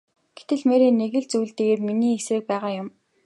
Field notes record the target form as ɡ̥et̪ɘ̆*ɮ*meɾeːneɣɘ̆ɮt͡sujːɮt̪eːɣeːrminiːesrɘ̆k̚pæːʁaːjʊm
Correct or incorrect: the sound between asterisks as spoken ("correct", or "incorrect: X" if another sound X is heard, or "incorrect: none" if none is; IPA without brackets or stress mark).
correct